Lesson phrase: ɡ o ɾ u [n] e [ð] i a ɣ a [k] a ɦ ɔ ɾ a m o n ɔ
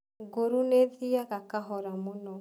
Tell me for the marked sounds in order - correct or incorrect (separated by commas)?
correct, correct, correct